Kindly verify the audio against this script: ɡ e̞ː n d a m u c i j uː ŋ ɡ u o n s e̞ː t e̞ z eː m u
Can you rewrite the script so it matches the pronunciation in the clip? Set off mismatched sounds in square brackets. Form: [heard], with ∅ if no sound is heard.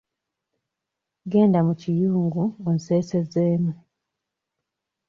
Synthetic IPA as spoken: ɡ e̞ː n d a m u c i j uː ŋ ɡ u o n s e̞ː [s] e̞ z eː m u

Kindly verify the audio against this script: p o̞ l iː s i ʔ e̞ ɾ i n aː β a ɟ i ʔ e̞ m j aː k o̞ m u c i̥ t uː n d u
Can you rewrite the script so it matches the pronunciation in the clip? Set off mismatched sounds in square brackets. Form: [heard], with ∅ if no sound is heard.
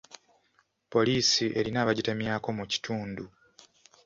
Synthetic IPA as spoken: p o̞ l iː s i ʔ e̞ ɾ i n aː β a ɟ i [t] e̞ m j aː k o̞ m u c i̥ t uː n d u

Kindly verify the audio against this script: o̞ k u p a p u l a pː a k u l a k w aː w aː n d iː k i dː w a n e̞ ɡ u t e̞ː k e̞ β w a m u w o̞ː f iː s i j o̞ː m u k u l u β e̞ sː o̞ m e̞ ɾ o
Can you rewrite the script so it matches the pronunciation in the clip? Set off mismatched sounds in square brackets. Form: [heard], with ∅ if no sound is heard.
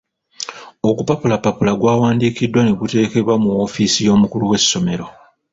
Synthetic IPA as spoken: o̞ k u p a p u l a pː a [p] u l a [ɡ] w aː w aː n d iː k i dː w a n e̞ ɡ u t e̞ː k e̞ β w a m u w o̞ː f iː s i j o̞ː m u k u l u [w] e̞ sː o̞ m e̞ ɾ o

